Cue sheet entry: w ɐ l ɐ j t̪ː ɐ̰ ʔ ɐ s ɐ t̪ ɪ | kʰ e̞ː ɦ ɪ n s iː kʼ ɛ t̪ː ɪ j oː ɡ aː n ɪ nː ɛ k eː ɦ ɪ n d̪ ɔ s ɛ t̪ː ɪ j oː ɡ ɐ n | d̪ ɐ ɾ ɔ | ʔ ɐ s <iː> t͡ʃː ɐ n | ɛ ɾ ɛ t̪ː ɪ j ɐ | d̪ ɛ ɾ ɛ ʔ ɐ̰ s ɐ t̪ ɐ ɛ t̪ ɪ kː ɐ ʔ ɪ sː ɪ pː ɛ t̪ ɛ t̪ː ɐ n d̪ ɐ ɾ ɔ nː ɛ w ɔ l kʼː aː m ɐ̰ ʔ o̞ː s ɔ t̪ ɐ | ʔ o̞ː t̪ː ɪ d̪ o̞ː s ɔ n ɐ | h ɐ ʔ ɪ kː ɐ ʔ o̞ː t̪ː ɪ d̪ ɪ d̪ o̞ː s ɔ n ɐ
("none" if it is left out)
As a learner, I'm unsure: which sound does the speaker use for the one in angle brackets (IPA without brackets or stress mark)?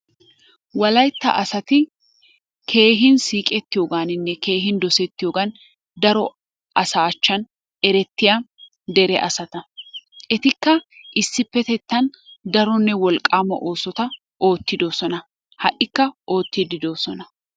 aː